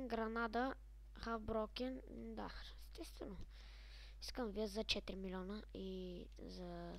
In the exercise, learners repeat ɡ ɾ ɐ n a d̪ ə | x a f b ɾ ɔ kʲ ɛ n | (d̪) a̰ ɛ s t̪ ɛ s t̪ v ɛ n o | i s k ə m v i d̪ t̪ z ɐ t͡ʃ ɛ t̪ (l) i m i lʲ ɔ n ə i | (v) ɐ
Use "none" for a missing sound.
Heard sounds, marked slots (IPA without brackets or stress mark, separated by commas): d̪, ɾ, z